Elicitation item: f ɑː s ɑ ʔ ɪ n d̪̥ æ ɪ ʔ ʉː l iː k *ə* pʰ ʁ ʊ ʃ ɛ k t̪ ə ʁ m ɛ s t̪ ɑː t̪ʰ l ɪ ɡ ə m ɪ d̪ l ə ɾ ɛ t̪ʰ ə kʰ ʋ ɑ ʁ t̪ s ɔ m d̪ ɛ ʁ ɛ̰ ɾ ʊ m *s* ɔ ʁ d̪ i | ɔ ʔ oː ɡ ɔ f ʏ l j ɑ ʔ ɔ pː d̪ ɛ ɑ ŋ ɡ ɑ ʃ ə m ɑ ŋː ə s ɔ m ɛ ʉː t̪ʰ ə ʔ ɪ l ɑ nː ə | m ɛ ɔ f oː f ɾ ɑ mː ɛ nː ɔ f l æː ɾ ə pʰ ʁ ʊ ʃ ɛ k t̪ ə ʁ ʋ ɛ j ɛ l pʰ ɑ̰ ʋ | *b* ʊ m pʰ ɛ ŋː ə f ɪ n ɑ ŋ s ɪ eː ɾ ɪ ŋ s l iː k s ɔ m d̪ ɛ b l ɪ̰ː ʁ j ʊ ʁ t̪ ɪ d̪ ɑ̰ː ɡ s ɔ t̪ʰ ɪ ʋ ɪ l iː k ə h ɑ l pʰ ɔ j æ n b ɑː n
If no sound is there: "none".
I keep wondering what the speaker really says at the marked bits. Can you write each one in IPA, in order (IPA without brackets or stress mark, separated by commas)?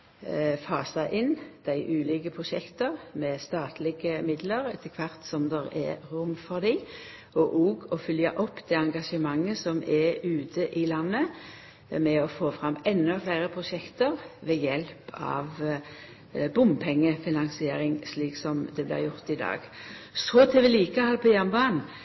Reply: ə, f, b